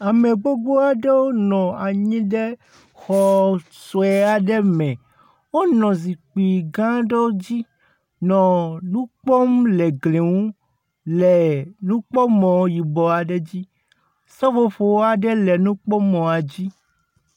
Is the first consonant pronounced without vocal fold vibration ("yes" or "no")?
no